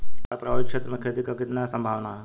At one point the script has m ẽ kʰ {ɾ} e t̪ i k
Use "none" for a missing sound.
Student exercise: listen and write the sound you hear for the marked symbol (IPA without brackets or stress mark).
ɾ